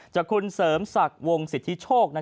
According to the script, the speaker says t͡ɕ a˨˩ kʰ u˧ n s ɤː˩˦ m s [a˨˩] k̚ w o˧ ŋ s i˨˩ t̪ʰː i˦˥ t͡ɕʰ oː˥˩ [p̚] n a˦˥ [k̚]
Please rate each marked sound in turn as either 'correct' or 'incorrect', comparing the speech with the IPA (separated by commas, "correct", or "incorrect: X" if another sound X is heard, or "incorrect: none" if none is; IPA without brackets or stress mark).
correct, incorrect: k̚, incorrect: none